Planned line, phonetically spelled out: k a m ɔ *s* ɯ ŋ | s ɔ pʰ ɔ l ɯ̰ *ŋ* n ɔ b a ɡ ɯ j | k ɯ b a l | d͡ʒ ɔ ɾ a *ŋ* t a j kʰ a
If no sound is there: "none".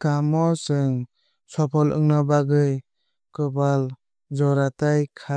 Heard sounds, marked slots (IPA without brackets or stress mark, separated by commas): s, ŋ, none